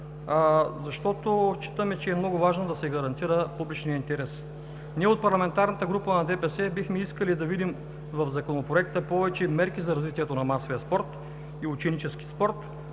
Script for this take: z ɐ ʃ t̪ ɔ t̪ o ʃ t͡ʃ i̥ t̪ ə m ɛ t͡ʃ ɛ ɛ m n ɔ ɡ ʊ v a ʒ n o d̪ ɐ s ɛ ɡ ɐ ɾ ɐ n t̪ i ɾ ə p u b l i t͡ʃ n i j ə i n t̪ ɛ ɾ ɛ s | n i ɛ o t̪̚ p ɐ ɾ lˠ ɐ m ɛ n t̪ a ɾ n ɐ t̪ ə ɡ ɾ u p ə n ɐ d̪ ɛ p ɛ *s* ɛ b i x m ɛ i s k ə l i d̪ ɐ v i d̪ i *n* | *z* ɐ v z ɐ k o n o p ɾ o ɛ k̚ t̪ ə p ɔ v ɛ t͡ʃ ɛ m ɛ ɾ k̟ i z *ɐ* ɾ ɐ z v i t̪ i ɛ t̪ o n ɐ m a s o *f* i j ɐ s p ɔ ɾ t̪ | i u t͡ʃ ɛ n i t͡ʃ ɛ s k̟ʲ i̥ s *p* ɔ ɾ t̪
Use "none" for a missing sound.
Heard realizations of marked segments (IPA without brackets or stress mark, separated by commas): s, m, v, ɐ, v, p